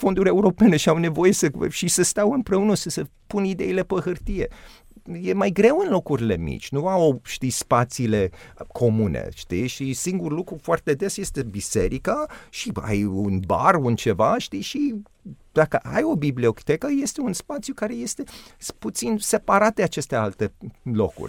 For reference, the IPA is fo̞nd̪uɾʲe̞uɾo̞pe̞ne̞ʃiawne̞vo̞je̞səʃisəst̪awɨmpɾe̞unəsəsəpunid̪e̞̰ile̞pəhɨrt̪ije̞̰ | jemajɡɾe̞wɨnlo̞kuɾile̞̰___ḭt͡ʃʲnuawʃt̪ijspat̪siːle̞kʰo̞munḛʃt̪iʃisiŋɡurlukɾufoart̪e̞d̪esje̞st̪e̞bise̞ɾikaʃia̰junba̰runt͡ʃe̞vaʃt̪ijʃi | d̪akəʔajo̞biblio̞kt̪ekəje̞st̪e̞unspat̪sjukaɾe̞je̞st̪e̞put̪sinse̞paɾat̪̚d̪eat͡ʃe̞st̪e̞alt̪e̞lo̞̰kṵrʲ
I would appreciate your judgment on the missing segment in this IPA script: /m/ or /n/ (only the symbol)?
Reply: m